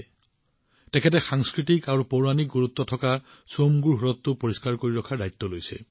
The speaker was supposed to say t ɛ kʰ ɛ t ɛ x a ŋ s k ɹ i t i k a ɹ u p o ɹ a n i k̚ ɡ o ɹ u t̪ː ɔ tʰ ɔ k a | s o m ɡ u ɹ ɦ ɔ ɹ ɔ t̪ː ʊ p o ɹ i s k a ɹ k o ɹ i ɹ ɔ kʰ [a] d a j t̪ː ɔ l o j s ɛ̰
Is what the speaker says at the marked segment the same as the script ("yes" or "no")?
yes